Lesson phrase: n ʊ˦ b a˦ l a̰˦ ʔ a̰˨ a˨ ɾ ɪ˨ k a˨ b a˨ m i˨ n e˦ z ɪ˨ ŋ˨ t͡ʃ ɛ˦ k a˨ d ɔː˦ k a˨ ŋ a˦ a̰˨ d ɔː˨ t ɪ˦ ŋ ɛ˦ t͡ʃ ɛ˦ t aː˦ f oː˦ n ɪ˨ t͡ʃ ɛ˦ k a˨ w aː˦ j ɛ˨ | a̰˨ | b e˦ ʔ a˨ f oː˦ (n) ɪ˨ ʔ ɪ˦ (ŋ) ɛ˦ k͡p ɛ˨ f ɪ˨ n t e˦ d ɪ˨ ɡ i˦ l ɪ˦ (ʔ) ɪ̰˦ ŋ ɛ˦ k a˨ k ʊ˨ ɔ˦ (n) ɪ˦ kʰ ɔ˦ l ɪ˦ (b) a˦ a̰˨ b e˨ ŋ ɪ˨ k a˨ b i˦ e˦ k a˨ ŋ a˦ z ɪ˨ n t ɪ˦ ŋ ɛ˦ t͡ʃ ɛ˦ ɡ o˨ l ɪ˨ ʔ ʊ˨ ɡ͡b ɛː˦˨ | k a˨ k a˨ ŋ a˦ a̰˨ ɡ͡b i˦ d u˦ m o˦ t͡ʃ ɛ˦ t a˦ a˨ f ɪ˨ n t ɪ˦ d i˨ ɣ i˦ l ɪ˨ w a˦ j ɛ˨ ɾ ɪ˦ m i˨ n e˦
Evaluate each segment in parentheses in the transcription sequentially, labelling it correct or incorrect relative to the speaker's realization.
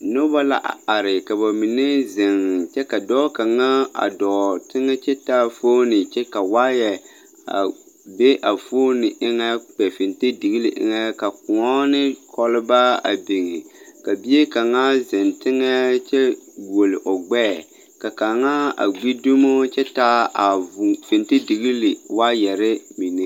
correct, correct, correct, correct, correct

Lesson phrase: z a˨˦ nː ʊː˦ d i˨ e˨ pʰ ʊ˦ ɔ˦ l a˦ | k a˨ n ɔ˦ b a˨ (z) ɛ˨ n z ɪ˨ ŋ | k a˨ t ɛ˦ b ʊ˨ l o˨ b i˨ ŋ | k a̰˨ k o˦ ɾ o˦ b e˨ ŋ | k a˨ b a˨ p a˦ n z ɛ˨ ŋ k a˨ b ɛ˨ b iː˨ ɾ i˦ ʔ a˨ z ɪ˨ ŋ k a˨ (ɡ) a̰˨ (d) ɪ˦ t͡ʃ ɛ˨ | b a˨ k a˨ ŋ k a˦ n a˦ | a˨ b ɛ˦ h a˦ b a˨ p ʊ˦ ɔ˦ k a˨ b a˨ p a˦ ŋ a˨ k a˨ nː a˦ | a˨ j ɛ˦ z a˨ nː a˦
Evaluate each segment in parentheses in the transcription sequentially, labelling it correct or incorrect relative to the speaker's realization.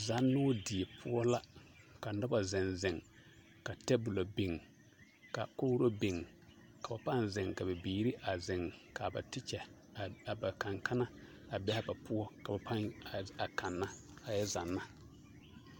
correct, incorrect: b, incorrect: t

